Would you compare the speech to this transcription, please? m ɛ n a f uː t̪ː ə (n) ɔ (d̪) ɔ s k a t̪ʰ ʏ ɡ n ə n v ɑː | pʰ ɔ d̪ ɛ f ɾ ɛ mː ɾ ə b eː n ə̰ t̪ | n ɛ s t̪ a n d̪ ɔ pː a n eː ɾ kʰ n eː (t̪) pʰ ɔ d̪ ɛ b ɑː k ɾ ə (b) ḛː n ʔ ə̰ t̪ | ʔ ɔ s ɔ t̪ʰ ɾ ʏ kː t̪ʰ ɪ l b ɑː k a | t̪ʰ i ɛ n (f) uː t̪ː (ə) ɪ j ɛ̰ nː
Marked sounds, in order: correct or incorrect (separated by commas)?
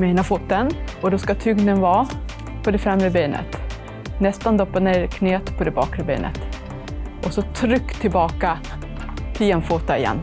correct, correct, correct, correct, correct, incorrect